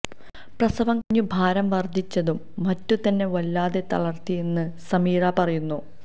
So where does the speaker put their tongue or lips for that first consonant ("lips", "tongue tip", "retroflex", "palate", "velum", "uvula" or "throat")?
lips